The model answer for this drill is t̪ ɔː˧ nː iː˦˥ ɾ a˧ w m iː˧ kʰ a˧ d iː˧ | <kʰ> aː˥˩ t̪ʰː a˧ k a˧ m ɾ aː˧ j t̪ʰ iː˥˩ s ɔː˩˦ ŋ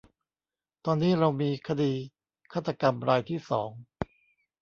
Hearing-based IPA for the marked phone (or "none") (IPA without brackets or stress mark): kʰ